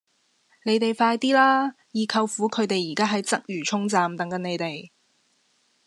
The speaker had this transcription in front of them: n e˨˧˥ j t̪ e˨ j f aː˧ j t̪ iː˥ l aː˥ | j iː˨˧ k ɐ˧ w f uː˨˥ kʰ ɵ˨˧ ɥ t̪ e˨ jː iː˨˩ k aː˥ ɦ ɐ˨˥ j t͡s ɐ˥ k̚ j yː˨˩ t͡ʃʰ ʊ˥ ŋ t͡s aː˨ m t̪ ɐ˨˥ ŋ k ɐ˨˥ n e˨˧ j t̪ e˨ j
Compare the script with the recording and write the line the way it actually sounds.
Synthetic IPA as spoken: n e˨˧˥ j t̪ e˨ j f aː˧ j t̪ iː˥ l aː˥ | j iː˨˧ kʰ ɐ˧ w f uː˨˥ kʰ ɵ˨˧ ɥ t̪ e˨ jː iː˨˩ k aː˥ ɦ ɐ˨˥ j t͡s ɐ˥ k̚ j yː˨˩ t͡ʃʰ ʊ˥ ŋ t͡s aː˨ m t̪ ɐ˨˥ ŋ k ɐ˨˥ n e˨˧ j t̪ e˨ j

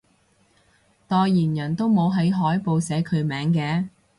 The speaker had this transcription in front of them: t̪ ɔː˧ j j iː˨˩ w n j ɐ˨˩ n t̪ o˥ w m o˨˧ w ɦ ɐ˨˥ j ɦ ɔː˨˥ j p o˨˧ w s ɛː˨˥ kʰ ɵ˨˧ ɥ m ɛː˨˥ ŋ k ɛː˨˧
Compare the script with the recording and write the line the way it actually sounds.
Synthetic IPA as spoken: t̪ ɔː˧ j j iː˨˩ n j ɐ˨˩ n t̪ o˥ w m o˨˧ w ɦ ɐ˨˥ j ɦ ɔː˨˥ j p o˨˧ w s ɛː˨˥ kʰ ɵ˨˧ ɥ m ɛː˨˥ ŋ k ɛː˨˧

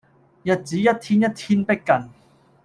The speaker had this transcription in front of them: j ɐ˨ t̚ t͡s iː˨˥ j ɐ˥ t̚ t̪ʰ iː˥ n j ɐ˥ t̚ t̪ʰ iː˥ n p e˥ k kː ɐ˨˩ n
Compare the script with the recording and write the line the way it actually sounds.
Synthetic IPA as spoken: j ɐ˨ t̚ t͡s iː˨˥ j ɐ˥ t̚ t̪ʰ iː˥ n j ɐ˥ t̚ t̪ʰ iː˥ n p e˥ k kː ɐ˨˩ n

